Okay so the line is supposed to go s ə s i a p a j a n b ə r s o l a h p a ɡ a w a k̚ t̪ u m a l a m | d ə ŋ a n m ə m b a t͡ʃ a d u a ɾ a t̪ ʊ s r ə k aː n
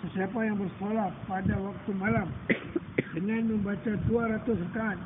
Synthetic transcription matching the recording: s ə s i a p a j a ŋ b ə r s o l a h p a d a w a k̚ t̪ u m a l a m | d ə ŋ a n m ə m b a t͡ʃ a d u a ɾ a t̪ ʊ s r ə k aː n